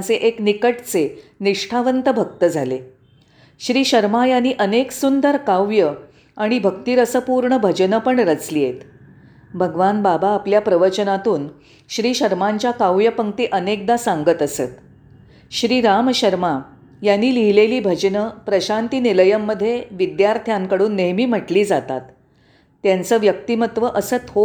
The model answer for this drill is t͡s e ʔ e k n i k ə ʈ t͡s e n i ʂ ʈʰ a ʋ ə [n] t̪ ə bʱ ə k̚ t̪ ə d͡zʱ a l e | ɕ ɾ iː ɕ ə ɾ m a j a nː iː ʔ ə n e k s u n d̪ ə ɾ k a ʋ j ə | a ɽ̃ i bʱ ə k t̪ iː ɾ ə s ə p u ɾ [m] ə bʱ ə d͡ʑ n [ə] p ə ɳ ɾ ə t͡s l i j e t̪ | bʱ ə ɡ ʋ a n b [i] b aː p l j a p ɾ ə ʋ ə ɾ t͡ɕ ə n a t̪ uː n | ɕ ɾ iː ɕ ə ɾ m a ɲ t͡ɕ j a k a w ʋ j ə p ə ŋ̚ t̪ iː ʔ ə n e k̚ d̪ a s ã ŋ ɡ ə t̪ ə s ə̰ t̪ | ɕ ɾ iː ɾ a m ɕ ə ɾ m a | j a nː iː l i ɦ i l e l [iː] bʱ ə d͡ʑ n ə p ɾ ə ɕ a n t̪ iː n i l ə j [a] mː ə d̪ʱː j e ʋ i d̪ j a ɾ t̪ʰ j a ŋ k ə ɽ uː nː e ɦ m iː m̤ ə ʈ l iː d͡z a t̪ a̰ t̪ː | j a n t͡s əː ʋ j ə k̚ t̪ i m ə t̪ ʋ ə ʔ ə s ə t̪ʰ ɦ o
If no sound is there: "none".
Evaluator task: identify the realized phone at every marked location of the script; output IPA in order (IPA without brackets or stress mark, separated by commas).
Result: n, ɳ, ə, a, iː, ə